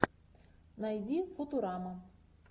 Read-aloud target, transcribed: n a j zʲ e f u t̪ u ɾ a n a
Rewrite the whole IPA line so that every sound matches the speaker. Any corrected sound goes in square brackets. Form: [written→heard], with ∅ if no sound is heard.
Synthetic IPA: n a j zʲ [e→i] f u t̪ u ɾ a [n→m] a